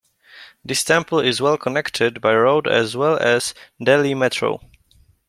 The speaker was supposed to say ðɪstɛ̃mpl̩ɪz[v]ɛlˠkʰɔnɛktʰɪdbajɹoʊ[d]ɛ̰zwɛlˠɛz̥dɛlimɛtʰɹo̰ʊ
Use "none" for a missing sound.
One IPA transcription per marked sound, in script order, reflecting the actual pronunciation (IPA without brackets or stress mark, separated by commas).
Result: w, d